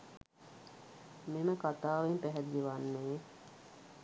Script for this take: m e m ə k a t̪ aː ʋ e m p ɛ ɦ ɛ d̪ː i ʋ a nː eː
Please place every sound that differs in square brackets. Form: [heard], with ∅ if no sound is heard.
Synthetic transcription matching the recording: m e m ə k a t̪ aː ʋ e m p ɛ ɦ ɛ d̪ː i ʋ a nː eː

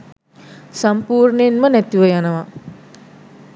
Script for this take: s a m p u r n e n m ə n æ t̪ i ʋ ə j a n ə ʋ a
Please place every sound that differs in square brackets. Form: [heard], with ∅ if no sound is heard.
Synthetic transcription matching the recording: s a m p [uː] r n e n m ə n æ t̪ i ʋ ə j a n ə ʋ a

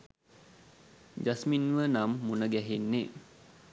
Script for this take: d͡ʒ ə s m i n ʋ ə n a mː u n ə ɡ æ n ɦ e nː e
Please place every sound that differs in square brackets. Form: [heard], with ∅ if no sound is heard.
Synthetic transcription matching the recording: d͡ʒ [a] s m i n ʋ ə n a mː u n ə ɡ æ [∅] ɦ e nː e

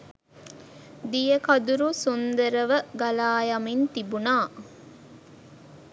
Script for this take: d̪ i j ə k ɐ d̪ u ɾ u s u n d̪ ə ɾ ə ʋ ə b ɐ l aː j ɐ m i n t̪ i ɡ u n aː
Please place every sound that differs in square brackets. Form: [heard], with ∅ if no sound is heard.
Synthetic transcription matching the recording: d̪ i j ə k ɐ d̪ u ɾ u s u n d̪ ə ɾ ə ʋ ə [ɡ] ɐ l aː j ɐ m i n t̪ i [b] u n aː

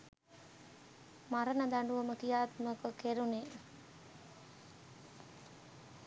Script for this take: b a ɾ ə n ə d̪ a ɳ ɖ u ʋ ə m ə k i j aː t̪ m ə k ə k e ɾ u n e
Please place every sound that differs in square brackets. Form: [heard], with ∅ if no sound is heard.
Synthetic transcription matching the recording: [m] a ɾ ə n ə d̪ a ɳ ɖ u ʋ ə m ə k i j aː t̪ m ə k ə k e ɾ u n e

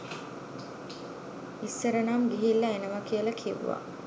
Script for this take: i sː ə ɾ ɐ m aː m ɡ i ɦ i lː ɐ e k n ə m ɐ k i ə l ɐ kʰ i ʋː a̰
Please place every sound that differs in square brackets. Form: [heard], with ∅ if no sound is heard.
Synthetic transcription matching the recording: i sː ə ɾ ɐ [n] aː m ɡ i ɦ i lː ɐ e [∅] n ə m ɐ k i ə l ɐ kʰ i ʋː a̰

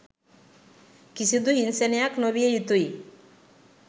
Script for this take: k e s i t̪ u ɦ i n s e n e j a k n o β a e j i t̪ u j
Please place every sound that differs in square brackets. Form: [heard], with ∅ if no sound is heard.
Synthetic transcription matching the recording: k [i] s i [d̪] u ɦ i n s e n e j a k n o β [i] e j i t̪ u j

